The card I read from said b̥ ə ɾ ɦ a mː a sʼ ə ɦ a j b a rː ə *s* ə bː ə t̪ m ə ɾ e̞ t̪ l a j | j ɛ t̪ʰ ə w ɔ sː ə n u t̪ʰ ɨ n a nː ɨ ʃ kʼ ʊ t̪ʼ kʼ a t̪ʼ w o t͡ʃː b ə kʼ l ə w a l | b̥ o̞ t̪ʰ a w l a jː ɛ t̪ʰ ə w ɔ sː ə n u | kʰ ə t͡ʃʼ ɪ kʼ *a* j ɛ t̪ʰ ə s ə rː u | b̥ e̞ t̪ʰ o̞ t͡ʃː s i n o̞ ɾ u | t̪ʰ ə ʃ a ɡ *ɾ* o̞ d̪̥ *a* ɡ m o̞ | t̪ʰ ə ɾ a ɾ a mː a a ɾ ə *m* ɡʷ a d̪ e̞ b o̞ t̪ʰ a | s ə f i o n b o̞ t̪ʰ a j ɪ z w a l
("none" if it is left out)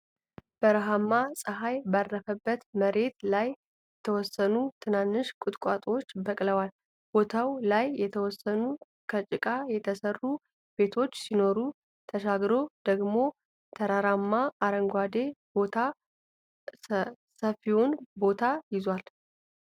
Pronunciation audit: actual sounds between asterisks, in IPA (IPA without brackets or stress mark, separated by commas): f, a, ɾ, ə, ŋ